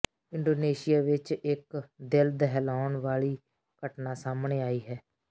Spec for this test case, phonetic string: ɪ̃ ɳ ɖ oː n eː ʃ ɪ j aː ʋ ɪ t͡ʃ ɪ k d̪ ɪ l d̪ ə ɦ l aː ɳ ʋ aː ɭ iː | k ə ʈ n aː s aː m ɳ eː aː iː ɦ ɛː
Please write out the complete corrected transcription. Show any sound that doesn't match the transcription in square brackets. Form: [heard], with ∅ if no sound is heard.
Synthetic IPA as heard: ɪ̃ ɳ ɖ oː n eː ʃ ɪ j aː ʋ ɪ t͡ʃ ɪ k d̪ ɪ l d̪ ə ɦ l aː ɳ ʋ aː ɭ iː | k ə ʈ n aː s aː m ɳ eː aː iː ɦ ɛː